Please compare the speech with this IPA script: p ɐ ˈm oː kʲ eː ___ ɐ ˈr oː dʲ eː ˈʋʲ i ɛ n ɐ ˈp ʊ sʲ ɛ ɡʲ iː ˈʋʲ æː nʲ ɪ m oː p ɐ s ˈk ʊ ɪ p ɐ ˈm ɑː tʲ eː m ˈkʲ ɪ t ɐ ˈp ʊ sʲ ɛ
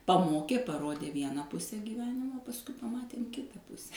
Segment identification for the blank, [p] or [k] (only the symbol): p